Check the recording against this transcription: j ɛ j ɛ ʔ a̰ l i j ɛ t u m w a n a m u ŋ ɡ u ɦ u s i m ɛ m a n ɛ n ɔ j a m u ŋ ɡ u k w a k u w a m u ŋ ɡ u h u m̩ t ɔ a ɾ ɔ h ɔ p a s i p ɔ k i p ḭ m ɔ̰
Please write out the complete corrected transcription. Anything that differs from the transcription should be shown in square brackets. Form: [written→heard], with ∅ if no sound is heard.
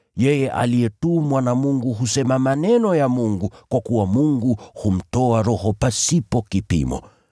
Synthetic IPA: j ɛ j ɛ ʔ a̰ l i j ɛ t u m w a n a m u ŋ ɡ u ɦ u s [i→ɛ] m [ɛ→a] m a n ɛ n ɔ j a m u ŋ ɡ u k w a k u w a m u ŋ ɡ u h u m̩ t ɔ a ɾ ɔ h ɔ p a s i p ɔ k i p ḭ m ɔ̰